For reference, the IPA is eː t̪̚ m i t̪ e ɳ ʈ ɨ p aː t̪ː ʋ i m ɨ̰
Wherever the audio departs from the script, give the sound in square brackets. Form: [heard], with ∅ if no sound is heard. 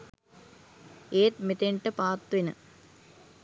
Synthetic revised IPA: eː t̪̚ m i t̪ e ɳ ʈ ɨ p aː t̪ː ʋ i [n] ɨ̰